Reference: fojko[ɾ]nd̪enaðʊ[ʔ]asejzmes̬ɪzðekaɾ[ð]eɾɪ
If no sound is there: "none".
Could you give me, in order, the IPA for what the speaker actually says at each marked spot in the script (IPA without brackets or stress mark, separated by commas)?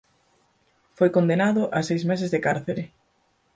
none, ʔ, θ